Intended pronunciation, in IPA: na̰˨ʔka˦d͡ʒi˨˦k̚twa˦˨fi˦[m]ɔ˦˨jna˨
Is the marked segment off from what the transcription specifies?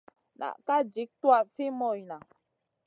no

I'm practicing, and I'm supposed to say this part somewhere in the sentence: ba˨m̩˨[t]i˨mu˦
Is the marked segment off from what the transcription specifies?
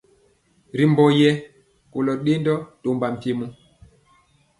no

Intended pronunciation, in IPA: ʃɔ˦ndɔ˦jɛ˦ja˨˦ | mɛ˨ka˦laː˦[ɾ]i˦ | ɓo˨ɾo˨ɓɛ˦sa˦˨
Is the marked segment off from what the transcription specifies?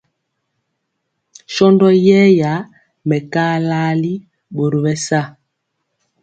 yes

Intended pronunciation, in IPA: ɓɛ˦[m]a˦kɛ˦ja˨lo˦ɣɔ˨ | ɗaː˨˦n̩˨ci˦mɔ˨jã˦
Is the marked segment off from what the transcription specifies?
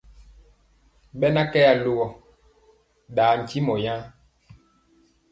yes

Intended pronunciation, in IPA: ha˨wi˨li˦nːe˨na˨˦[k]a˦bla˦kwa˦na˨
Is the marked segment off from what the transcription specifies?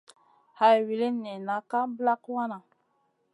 no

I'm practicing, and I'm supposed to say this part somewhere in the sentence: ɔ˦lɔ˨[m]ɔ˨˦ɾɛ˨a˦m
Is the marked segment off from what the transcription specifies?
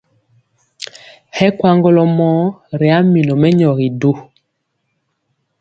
no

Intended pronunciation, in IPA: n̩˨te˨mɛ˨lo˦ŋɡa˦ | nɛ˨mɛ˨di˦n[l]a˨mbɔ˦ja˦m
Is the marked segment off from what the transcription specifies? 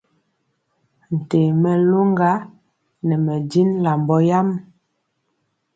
no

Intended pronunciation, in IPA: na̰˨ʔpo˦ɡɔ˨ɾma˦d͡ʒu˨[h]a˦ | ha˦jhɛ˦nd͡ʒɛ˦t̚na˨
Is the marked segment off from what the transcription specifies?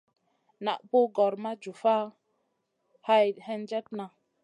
yes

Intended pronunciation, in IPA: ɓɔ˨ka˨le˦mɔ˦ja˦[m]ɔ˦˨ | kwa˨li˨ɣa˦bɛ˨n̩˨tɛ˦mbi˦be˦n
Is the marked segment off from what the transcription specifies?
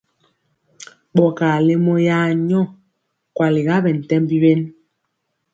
yes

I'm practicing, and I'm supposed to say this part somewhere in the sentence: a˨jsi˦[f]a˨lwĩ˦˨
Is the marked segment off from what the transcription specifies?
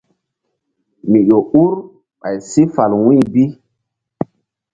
no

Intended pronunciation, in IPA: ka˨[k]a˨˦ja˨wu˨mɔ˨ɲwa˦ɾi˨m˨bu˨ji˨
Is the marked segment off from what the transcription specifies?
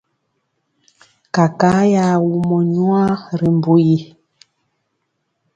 no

